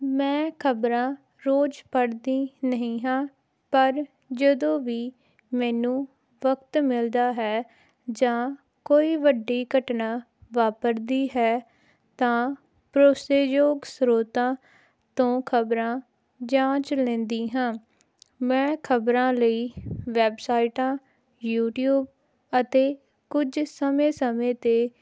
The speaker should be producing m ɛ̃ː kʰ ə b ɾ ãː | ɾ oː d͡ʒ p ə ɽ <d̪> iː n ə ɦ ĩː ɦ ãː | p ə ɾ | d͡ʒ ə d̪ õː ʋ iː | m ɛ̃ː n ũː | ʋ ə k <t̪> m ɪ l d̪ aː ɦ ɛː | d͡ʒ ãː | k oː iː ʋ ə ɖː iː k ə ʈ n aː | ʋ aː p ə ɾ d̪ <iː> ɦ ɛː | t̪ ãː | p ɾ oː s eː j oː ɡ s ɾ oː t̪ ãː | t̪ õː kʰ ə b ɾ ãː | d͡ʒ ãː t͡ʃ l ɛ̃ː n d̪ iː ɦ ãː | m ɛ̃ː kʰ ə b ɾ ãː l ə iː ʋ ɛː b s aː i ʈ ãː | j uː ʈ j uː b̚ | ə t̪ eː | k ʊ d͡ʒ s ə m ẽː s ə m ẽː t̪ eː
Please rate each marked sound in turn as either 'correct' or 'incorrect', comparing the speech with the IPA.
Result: correct, correct, correct

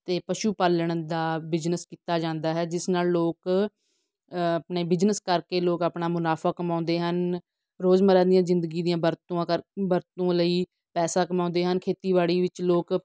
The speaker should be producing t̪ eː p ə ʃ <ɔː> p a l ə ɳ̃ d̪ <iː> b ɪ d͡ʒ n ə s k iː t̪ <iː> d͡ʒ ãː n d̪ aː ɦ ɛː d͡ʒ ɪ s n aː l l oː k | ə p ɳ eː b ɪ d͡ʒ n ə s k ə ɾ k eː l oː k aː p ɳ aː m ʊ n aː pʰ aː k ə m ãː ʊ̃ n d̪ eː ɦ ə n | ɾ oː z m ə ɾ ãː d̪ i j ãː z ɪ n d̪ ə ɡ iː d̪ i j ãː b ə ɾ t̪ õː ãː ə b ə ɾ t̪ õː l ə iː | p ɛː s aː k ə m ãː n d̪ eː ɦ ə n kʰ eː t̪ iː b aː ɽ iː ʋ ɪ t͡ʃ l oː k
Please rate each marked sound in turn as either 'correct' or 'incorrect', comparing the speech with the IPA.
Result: incorrect, incorrect, incorrect

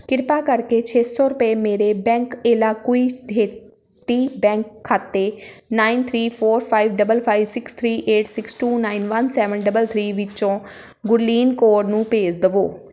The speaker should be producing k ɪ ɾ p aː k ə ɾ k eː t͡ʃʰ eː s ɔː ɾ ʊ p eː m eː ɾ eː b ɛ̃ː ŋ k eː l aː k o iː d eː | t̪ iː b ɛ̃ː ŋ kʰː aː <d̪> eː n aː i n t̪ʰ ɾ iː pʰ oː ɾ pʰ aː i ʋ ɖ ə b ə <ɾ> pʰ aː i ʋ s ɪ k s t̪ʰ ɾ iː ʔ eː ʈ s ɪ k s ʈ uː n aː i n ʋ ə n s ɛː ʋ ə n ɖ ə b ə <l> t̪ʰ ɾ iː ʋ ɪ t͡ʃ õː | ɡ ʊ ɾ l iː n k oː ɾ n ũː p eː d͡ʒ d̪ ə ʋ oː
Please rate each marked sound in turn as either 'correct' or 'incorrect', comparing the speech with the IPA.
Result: incorrect, incorrect, correct

